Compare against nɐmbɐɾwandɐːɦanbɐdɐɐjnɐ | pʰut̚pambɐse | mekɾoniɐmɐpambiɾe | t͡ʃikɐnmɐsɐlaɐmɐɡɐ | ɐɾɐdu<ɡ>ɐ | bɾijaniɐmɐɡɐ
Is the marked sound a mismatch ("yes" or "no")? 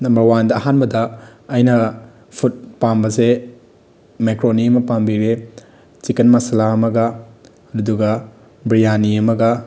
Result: no